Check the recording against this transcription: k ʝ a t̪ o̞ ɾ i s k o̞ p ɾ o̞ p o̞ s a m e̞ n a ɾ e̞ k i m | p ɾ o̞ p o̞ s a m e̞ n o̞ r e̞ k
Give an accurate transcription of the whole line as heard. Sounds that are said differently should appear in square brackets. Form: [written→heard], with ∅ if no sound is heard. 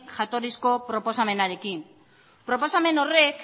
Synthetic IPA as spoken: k ʝ a t̪ o̞ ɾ i s k o̞ p ɾ o̞ p o̞ s a m e̞ n a ɾ e̞ k i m | p ɾ o̞ p o̞ s a m e̞ n o̞ r e̞ k